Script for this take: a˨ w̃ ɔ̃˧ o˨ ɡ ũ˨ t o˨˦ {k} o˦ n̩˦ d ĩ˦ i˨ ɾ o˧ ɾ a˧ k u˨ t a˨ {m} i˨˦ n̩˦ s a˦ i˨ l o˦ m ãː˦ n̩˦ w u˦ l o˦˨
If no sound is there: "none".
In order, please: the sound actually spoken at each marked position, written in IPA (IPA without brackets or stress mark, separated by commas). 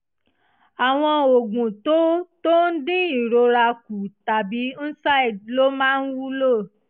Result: t, b